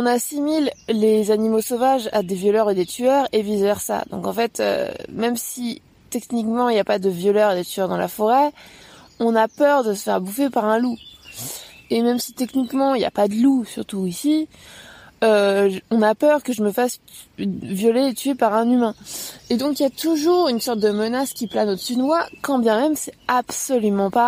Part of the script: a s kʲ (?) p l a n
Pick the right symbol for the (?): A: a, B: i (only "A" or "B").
B